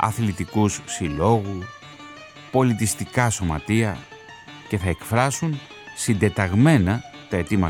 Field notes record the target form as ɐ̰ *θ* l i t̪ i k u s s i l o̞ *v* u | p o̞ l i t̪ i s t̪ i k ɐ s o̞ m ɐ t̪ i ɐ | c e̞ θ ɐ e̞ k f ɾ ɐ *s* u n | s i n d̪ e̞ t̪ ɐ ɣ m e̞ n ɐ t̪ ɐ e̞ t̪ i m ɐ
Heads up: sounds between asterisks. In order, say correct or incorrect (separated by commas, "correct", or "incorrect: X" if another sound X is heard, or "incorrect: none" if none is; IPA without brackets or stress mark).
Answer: correct, incorrect: ɣ, correct